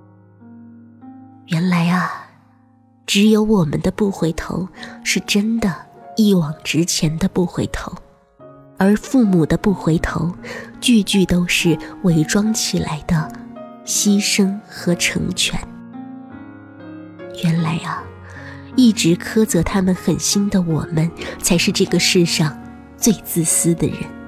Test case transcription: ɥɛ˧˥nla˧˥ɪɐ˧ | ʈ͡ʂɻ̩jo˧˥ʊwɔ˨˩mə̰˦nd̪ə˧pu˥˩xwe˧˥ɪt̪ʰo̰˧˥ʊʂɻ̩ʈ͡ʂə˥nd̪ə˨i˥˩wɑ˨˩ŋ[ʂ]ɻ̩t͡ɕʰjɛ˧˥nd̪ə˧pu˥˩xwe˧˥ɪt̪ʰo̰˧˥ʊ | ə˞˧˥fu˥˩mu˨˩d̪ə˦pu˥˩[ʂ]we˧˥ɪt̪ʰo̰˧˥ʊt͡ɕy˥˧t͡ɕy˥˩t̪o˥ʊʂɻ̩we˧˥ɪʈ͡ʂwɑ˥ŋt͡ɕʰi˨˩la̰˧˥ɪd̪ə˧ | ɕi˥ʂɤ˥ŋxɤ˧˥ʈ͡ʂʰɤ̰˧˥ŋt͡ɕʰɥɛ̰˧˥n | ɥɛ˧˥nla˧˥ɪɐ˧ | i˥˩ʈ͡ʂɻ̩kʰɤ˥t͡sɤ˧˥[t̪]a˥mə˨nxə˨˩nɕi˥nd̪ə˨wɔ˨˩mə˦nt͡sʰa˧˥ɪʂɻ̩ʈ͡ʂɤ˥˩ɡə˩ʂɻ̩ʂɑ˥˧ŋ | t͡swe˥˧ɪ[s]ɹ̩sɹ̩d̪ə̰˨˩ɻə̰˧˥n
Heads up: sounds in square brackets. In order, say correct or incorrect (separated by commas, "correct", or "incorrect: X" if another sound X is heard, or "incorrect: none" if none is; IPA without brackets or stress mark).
incorrect: ʈ͡ʂ, incorrect: x, incorrect: t̪ʰ, incorrect: t͡s